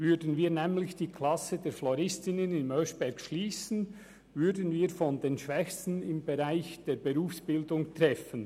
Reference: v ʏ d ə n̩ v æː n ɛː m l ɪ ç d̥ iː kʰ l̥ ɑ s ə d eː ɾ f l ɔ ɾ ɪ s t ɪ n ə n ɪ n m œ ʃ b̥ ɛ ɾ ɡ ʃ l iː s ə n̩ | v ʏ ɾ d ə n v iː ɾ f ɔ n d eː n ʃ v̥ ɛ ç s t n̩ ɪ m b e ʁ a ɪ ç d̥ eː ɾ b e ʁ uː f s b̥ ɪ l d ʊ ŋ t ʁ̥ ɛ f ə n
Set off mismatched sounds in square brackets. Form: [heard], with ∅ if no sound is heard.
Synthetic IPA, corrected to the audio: v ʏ d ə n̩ v [iː] n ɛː m l ɪ ç d̥ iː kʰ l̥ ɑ s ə d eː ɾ f l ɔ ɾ ɪ s t ɪ n ə n ɪ n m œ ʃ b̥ ɛ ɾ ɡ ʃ l iː s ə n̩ | v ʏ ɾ d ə n v iː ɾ f ɔ n d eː n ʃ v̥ ɛ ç s t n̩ ɪ m b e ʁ a ɪ ç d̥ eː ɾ b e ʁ uː f s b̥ ɪ l d ʊ ŋ t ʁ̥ ɛ f ə n